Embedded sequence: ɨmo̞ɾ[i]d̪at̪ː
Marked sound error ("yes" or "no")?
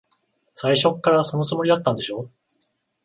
no